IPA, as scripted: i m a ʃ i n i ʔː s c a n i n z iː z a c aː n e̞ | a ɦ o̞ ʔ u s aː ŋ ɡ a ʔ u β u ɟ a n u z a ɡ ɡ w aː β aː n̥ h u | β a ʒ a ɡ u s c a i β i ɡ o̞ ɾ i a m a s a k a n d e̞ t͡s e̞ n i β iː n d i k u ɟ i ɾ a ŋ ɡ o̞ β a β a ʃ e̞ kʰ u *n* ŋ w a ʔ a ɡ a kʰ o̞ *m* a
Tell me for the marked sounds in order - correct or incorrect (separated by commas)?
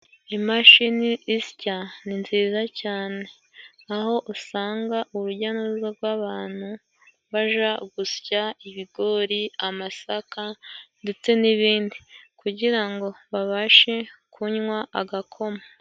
incorrect, correct